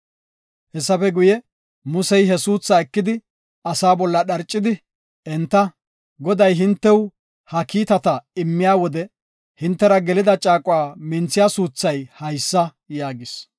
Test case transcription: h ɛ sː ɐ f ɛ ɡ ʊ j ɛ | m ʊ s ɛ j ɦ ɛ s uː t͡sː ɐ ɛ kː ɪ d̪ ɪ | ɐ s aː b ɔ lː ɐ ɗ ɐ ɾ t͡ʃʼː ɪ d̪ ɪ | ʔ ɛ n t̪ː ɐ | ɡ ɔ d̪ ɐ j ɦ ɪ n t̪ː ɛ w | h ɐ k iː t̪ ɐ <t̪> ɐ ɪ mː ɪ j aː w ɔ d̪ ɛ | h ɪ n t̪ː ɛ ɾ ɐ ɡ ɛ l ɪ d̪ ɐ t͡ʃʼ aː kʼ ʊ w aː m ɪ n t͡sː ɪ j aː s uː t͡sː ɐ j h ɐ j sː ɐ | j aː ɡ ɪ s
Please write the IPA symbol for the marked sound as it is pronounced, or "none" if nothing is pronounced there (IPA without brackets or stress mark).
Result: t̪